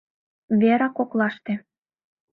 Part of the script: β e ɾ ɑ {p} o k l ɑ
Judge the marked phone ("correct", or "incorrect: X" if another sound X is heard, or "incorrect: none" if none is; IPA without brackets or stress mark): incorrect: k